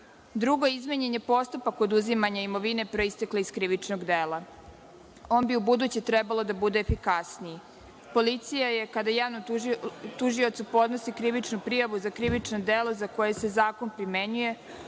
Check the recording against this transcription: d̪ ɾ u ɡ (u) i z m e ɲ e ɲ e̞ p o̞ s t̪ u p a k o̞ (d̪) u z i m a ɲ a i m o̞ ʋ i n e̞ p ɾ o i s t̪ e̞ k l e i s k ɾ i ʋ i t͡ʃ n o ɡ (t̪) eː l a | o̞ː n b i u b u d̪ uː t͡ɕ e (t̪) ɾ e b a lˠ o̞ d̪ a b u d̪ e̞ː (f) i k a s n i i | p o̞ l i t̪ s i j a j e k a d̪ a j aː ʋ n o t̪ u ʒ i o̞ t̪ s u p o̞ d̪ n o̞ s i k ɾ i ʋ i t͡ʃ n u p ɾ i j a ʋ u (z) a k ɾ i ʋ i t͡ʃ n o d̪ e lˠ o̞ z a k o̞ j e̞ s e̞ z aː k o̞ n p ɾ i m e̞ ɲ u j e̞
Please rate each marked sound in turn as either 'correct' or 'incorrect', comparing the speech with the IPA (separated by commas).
incorrect, correct, incorrect, correct, correct, correct